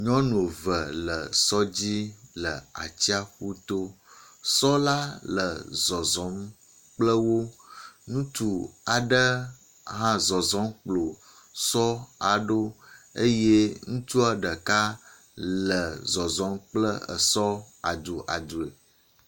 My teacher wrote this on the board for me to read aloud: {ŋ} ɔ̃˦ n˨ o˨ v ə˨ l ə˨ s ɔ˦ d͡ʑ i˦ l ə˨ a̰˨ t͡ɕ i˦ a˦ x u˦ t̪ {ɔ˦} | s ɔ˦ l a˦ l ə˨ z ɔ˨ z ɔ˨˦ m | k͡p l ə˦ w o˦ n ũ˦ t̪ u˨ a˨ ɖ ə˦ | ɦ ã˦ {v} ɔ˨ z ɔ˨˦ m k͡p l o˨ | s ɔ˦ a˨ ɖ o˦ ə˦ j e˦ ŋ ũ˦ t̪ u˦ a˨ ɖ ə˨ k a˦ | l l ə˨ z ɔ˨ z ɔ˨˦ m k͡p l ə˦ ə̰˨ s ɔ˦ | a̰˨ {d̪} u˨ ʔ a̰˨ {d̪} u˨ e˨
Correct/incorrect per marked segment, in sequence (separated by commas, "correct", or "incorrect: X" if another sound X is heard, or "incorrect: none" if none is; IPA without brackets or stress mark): incorrect: ɲ, incorrect: o˦, incorrect: z, correct, correct